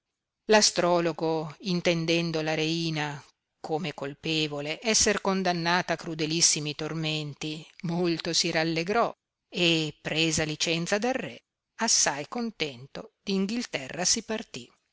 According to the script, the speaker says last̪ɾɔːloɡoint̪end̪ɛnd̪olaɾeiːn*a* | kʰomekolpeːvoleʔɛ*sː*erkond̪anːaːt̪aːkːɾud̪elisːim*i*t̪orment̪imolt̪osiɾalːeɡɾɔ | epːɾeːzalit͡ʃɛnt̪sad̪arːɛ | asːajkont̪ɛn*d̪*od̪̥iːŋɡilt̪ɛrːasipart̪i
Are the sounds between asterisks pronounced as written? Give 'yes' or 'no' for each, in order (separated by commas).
yes, yes, yes, no